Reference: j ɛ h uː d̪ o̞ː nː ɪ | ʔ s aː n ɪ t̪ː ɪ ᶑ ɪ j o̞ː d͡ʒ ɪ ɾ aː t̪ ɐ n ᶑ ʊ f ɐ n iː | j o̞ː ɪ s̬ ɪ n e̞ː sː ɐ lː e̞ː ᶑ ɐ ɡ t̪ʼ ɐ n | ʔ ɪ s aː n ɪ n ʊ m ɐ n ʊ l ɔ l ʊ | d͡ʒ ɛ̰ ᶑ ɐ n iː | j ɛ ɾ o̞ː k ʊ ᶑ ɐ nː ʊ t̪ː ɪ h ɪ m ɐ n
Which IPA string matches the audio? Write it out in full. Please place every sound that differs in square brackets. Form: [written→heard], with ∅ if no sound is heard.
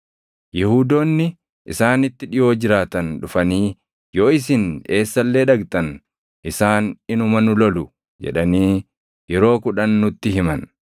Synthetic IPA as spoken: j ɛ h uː d̪ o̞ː nː ɪ | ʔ s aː n ɪ t̪ː ɪ ᶑ ɪ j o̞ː d͡ʒ ɪ ɾ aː t̪ ɐ n ᶑ ʊ f ɐ n iː | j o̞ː ɪ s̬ ɪ n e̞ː sː ɐ lː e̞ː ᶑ ɐ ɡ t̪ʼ ɐ n | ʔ ɪ s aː n ɪ n ʊ m ɐ n ʊ l ɔ l ʊ | d͡ʒ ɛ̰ ᶑ ɐ n iː | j ɛ ɾ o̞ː k ʊ ᶑ ɐ nː ʊ t̪ː ɪ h ɪ m ɐ n